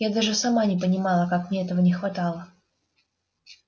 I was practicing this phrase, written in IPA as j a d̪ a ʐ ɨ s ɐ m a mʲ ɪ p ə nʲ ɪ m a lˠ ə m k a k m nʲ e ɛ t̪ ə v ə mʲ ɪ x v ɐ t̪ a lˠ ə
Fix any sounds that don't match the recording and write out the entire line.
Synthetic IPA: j a d̪ a ʐ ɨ s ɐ m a nʲ ɪ p ə nʲ ɪ m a lˠ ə k a k m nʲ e ɛ t̪ ə v ə nʲ ɪ x v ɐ t̪ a lˠ ə